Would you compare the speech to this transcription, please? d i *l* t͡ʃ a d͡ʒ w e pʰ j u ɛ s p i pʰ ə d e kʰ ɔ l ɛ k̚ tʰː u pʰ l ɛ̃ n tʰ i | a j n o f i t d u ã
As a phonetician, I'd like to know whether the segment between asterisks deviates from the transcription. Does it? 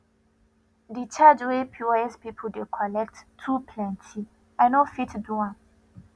yes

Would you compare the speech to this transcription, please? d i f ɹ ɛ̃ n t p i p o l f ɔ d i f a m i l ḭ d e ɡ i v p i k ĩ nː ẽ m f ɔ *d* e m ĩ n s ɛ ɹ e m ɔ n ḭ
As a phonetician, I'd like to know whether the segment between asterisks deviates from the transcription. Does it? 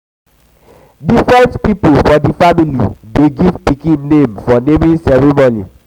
yes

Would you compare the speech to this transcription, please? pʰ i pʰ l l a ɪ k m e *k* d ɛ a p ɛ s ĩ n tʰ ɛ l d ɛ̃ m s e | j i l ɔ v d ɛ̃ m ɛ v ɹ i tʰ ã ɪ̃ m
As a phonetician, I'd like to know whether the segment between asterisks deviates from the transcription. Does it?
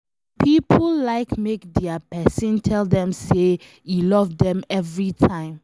no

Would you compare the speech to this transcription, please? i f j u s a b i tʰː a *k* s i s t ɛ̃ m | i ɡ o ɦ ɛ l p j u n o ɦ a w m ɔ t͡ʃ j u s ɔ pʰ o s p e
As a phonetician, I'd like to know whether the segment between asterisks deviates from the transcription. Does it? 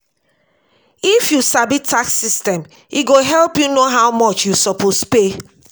no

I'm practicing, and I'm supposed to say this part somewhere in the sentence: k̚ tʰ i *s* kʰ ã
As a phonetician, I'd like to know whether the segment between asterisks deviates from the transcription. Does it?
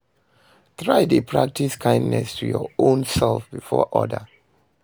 no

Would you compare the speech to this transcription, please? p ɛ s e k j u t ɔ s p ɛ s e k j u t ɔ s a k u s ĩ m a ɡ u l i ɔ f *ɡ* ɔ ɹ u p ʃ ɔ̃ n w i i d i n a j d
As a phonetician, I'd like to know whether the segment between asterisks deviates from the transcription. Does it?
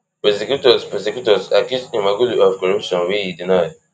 yes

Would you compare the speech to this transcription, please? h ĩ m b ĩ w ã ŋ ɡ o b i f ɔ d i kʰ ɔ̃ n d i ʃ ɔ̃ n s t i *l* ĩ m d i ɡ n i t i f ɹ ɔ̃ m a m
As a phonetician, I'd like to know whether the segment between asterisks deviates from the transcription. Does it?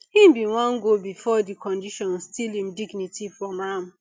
no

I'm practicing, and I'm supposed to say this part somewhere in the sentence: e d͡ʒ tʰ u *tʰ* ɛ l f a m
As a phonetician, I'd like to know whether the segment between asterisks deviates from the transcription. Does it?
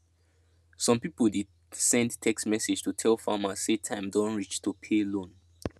no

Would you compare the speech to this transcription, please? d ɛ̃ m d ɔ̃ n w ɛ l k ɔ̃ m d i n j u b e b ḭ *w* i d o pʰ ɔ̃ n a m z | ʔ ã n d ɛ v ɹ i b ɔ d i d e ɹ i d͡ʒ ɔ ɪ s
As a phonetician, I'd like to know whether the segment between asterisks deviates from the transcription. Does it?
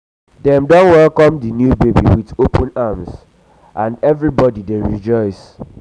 no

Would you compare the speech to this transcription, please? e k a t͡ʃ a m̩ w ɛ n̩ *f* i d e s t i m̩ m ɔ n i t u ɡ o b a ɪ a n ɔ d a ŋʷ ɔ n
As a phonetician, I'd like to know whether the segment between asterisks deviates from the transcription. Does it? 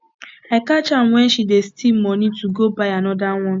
yes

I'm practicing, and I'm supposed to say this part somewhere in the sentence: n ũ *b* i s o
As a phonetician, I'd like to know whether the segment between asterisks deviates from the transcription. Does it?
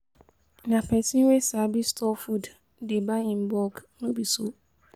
no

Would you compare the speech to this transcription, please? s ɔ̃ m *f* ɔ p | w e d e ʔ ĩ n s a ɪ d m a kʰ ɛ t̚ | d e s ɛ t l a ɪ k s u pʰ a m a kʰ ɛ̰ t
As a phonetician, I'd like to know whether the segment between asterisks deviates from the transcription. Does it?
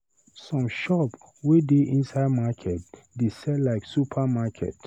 yes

